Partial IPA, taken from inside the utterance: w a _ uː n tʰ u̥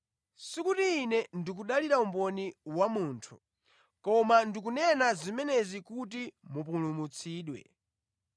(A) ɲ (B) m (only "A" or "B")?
B